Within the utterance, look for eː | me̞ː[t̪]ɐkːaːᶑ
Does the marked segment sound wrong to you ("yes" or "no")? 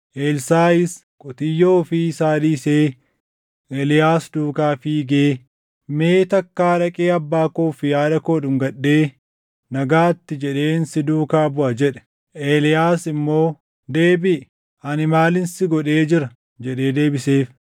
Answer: no